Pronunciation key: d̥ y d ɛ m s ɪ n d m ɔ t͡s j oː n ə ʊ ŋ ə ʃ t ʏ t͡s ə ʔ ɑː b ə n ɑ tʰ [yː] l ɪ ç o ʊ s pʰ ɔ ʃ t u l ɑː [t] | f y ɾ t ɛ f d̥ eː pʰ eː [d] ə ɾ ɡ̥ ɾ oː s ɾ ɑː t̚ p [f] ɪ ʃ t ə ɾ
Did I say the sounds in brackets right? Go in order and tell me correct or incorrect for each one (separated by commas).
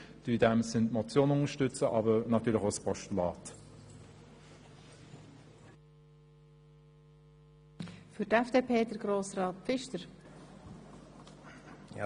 correct, correct, correct, correct